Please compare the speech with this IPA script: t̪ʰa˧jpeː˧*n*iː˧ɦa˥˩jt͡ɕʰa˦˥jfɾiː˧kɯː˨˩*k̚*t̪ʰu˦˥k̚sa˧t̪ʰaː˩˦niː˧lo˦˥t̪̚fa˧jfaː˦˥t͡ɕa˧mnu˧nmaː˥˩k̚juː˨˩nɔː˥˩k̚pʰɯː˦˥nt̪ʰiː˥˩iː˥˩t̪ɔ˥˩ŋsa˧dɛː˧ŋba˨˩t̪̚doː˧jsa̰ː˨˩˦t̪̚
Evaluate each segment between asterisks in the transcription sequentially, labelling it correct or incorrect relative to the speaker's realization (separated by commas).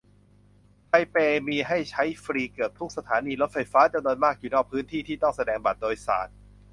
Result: incorrect, incorrect